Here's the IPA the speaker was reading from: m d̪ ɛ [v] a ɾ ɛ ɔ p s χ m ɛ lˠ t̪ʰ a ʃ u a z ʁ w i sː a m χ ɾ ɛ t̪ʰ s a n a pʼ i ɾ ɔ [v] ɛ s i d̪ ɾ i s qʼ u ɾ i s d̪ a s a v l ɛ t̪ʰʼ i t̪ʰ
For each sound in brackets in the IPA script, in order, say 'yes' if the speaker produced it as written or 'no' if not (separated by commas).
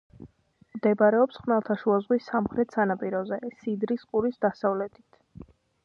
no, no